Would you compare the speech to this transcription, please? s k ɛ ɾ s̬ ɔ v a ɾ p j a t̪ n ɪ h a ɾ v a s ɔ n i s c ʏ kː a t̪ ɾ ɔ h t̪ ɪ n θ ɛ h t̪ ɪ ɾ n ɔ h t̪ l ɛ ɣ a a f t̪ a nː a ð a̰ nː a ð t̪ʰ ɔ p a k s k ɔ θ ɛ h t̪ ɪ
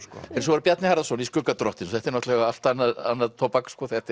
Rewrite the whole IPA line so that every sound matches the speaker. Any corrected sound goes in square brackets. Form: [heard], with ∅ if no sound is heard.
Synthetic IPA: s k ɛ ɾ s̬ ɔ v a ɾ p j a t̪ n ɪ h a ɾ [ð] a s ɔ n i s [k] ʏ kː a t̪ ɾ ɔ h t̪ ɪ n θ ɛ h t̪ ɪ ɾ n ɔ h t̪ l ɛ ɣ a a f t̪ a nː a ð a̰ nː a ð t̪ʰ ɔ p a k s k ɔ θ ɛ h t̪ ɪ